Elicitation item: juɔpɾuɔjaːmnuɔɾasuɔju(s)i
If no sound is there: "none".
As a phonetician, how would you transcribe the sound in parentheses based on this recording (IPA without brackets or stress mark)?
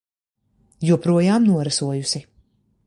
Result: s